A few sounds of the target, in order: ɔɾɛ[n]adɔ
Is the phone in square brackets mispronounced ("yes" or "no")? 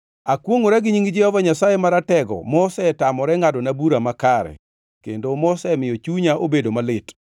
yes